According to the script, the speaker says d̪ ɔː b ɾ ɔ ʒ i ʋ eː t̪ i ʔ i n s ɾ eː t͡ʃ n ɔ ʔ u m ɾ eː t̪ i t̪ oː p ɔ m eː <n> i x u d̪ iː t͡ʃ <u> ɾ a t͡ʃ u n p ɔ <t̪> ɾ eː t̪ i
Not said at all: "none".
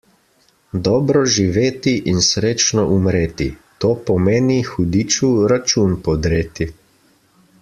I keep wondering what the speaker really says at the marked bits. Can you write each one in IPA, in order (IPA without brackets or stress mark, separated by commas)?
n, u, d̪